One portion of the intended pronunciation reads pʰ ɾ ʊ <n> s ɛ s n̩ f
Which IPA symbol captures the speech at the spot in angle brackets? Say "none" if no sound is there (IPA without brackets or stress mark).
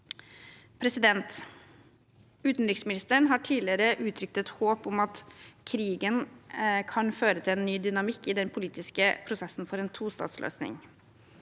none